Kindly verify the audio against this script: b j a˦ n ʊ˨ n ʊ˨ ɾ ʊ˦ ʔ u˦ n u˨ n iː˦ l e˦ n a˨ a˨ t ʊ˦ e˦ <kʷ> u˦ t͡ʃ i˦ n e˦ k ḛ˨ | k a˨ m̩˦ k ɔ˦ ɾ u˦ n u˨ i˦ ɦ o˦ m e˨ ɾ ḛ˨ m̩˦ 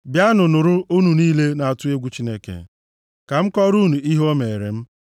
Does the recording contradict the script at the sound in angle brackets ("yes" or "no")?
yes